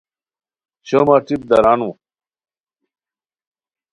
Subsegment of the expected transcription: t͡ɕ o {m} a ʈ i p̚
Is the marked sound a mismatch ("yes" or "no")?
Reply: no